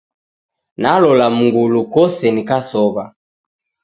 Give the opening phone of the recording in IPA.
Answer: n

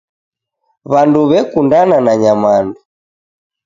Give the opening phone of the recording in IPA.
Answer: β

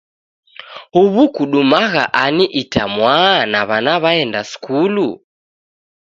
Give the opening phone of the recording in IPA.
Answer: h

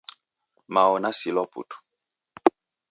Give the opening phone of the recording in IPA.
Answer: m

